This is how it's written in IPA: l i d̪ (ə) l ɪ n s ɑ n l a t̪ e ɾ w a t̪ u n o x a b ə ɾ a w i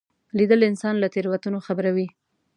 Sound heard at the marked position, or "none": ə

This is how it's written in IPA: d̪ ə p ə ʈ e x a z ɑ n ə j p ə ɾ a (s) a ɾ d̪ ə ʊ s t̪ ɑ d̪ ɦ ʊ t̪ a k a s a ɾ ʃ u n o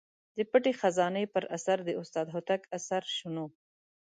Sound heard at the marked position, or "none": s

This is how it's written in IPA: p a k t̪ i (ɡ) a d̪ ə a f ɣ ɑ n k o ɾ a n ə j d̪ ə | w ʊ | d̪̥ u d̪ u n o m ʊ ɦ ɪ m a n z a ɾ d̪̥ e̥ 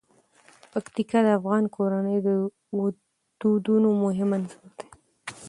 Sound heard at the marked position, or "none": k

